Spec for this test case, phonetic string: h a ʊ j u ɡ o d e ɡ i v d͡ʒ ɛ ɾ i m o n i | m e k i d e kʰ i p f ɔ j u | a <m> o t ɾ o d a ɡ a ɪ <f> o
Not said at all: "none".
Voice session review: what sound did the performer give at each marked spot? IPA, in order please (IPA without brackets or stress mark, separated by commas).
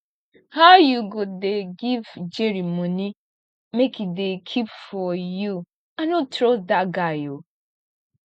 n, none